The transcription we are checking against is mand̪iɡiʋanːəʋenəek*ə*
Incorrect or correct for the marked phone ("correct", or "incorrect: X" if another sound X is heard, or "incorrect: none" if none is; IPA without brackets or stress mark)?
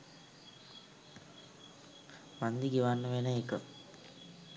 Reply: correct